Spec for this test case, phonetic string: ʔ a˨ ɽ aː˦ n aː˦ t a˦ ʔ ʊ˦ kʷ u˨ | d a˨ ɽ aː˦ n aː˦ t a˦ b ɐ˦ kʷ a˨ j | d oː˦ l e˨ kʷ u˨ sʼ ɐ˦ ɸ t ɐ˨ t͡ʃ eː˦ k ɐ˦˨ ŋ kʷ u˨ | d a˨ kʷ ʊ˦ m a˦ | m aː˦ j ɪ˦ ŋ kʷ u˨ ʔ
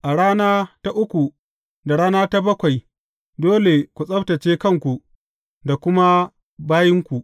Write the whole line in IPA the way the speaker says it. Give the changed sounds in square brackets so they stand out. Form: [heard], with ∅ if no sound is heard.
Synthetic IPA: ʔ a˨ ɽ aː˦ n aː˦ t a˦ ʔ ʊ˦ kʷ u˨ | d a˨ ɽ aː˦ n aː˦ t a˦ b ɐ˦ kʷ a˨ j | d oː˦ l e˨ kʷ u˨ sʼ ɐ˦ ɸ t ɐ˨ t͡ʃ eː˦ k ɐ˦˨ ŋ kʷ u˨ | d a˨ kʷ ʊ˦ m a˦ | [b] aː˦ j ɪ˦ ŋ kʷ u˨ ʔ

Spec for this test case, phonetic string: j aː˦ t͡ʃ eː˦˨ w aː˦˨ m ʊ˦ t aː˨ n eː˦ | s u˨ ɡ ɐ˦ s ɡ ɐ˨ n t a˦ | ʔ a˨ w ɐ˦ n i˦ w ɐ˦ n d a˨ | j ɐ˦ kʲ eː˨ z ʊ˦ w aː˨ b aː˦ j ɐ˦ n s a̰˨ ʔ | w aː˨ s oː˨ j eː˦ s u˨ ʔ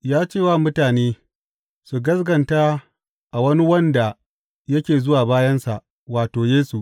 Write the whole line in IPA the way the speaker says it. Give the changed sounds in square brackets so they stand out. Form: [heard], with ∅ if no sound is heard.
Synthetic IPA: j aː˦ t͡ʃ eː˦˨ w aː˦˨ m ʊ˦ t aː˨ n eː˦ | s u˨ ɡ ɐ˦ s ɡ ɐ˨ n t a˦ | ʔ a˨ w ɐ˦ n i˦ w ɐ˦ n d a˨ | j ɐ˦ kʲ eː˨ z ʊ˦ w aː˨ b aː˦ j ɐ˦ n s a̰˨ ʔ | w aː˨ [t] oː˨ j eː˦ s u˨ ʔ

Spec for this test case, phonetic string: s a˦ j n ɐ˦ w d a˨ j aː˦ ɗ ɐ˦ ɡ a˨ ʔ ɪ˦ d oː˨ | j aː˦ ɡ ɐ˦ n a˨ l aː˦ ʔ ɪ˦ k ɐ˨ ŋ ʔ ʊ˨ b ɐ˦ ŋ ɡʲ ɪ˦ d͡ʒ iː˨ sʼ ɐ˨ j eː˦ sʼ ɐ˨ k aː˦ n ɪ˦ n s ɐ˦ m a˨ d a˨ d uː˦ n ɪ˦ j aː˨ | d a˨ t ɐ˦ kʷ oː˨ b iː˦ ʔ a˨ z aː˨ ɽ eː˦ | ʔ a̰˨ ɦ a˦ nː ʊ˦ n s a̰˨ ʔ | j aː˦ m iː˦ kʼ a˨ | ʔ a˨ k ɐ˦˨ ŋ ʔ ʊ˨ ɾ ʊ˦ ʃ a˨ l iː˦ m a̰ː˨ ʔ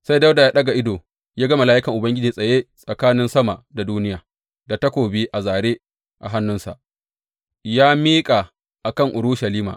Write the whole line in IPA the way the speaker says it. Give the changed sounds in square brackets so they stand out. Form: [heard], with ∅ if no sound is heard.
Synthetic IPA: s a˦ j [d] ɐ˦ w d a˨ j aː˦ ɗ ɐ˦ ɡ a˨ ʔ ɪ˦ d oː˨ | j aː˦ ɡ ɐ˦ [m] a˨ l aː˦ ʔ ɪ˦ k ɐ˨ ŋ ʔ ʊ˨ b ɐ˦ ŋ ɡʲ ɪ˦ d͡ʒ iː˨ sʼ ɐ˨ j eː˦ sʼ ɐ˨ k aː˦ n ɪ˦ n s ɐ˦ m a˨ d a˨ d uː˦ n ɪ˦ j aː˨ | d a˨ t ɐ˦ kʷ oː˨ b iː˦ ʔ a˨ z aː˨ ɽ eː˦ | ʔ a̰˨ ɦ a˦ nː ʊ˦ n s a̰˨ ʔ | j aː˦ m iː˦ kʼ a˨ | ʔ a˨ k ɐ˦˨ ŋ ʔ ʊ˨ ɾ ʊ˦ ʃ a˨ l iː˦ m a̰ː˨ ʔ

